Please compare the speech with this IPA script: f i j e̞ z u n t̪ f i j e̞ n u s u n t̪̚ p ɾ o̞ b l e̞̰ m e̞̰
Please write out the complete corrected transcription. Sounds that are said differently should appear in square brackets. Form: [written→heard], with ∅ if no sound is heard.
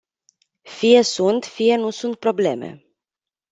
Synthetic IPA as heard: f i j e̞ [z→s] u n t̪ f i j e̞ n u s u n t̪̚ p ɾ o̞ b l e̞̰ m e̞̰